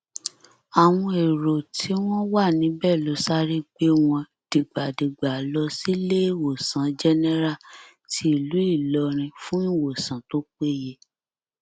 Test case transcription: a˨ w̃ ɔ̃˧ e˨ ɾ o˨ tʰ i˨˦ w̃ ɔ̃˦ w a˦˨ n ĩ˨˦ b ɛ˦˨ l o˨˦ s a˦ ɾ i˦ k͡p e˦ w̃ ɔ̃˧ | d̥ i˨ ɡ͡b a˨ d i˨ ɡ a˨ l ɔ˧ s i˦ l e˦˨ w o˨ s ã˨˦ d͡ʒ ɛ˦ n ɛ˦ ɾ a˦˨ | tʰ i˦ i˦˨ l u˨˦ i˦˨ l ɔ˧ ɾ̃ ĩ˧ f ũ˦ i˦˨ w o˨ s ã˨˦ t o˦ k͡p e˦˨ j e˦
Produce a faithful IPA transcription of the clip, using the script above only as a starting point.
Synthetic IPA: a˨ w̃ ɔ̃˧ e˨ ɾ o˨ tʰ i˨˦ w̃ ɔ̃˦ w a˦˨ n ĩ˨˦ b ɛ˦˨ l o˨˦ s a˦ ɾ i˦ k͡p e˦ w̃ ɔ̃˧ | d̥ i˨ ɡ͡b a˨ d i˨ ɡ͡b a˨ l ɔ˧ s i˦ l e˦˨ w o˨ s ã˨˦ d͡ʒ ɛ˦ n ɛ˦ ɾ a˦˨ | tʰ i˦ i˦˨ l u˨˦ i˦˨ l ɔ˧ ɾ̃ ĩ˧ f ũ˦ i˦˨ w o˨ s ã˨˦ t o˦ k͡p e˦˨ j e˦